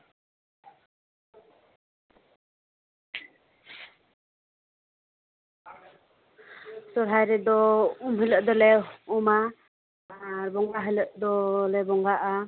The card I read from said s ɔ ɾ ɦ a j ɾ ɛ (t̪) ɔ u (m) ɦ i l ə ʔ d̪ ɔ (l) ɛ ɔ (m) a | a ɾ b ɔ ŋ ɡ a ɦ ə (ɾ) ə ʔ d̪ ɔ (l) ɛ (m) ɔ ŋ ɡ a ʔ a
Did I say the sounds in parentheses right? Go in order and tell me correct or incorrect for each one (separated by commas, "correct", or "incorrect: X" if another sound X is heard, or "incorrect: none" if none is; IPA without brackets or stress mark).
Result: incorrect: d̪, correct, correct, correct, incorrect: l, correct, incorrect: b